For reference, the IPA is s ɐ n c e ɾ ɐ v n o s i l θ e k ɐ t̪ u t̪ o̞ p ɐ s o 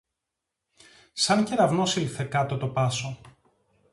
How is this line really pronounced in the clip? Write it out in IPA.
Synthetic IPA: s ɐ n c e ɾ ɐ v n o s i l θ e k ɐ t̪ o t̪ o̞ p ɐ s o